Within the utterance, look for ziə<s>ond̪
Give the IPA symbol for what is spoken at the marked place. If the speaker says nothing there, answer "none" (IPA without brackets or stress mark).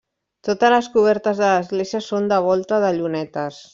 s